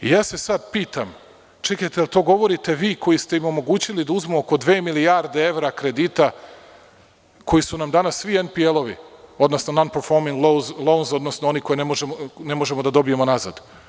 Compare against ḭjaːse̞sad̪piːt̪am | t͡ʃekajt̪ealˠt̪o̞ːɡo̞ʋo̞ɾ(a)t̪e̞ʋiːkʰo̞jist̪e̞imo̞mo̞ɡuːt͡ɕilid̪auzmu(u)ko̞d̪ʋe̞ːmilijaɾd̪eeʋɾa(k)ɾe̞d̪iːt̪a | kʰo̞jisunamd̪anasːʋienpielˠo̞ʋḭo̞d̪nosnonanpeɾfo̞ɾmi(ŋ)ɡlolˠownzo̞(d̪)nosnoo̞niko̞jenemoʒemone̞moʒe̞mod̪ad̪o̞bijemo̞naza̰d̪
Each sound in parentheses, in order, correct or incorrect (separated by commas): incorrect, incorrect, correct, correct, correct